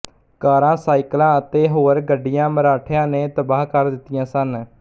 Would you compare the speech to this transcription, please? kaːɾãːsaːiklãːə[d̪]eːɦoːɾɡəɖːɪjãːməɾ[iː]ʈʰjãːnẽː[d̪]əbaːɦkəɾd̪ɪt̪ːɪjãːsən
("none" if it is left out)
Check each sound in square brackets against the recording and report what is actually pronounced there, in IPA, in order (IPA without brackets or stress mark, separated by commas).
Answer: t̪, aː, t̪